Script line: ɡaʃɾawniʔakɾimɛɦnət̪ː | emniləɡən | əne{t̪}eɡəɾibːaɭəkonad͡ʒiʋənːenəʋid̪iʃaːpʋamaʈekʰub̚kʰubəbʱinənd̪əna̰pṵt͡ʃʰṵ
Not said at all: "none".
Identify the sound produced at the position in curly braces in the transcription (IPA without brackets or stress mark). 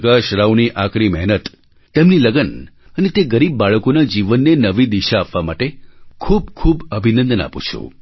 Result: t̪